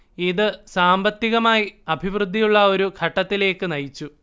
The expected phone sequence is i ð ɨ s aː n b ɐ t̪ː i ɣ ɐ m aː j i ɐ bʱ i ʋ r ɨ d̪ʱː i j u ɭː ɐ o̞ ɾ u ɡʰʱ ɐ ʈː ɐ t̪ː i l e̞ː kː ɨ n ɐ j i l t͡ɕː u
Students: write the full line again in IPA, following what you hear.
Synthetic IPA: i ð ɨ s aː m b ɐ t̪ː i ɣ ɐ m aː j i ɐ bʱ i ʋ r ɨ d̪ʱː i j u ɭː ɐ o̞ ɾ u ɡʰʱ ɐ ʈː ɐ t̪ː i l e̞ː kː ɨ n ɐ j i t͡ɕː u